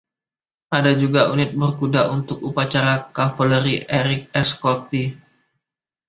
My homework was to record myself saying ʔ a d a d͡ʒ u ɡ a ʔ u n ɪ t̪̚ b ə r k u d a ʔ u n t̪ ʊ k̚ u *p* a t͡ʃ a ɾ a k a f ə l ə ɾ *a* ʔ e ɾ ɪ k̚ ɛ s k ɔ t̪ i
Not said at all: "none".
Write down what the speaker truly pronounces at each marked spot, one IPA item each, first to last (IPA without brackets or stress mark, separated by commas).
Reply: p, i